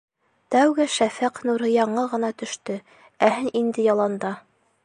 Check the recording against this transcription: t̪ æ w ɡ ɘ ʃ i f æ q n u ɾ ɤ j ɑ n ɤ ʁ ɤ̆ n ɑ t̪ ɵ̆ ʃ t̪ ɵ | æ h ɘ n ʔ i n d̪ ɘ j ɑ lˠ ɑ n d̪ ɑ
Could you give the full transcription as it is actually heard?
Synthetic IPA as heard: t̪ æ w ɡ ɘ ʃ æ f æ q n u ɾ ɤ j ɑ ɴ ɤ ʁ ɤ̆ n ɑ t̪ ɵ̆ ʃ t̪ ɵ | æ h ɘ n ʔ i n d̪ ɘ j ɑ lˠ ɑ n d̪ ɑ